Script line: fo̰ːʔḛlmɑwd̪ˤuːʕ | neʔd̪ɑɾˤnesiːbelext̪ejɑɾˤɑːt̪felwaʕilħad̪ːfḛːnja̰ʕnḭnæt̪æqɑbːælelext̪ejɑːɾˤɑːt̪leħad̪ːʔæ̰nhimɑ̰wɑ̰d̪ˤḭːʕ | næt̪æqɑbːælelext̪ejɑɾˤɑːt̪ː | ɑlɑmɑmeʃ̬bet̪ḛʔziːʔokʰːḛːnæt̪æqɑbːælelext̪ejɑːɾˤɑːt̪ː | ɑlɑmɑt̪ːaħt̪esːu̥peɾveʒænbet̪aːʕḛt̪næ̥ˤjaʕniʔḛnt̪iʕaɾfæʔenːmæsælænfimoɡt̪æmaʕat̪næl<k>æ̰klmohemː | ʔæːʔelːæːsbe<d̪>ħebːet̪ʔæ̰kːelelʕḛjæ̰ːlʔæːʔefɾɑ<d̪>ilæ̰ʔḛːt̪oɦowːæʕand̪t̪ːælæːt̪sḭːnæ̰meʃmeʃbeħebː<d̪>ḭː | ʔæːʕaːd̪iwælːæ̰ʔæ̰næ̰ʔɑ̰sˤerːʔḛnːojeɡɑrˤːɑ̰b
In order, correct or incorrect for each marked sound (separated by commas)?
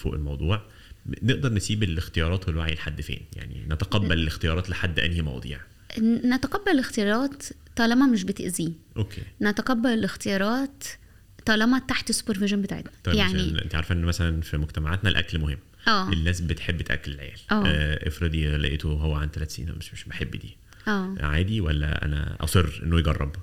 incorrect, incorrect, correct, correct